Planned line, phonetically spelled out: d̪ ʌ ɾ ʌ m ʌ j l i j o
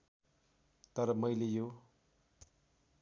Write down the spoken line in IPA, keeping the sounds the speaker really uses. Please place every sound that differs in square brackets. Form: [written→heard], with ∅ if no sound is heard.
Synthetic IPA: [d̪→t̪] ʌ ɾ ʌ m ʌ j l [i→e] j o